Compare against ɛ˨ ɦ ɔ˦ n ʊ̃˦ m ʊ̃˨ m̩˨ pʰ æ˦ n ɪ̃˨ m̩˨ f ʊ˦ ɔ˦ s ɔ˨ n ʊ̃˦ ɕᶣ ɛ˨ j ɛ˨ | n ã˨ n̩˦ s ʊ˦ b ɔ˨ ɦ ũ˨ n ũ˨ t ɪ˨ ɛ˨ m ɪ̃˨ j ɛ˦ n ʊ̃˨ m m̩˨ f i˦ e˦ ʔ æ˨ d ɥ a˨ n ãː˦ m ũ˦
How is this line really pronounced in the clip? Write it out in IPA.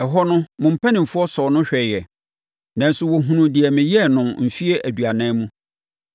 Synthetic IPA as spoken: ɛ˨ ɦ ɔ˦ n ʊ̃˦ m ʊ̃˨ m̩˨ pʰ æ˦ n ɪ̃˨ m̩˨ f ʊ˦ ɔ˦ s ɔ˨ n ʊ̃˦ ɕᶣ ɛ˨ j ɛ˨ | n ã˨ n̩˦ s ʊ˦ w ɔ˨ ɦ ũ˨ n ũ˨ d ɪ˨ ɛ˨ m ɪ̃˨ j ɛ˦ n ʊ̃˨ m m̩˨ f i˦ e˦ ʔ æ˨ d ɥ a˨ n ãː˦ m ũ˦